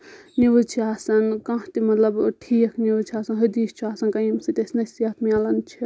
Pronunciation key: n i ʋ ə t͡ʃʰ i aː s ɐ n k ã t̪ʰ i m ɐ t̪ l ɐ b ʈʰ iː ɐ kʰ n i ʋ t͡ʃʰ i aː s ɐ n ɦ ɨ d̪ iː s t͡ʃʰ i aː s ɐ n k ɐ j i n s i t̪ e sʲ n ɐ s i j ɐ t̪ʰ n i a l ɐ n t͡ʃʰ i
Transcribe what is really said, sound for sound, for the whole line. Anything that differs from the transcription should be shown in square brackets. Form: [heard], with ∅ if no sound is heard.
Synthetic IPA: n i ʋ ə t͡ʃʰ i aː s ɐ n k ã [t̪] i m ɐ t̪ l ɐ b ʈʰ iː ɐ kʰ n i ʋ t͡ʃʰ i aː s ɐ n ɦ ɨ d̪ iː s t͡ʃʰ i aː s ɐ n k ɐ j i [m] s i t̪ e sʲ n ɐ s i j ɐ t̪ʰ [m] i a l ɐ n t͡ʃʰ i